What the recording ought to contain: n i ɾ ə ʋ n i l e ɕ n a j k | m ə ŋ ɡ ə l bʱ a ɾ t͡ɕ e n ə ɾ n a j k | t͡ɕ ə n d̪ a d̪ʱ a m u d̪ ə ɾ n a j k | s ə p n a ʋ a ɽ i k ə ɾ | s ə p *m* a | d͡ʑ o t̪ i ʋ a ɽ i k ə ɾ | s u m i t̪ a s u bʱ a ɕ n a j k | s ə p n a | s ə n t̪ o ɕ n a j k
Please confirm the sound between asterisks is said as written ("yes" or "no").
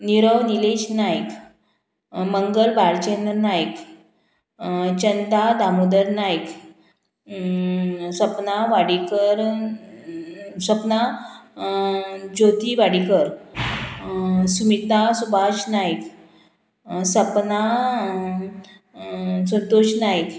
no